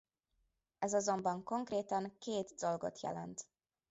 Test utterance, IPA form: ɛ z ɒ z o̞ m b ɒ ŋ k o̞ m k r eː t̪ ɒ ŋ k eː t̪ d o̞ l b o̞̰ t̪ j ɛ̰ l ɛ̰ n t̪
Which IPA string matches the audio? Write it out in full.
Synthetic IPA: ɛ z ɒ z o̞ m b ɒ ŋ k o̞ ŋ k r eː t̪ ɒ ŋ k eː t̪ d o̞ l ɡ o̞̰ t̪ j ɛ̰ l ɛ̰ n t̪